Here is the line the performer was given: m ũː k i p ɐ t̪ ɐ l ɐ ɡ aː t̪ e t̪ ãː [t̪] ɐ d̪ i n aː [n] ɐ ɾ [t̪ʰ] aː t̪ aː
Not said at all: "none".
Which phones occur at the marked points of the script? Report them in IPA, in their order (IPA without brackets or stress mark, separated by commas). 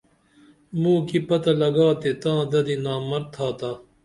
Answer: d̪, m, t̪ʰ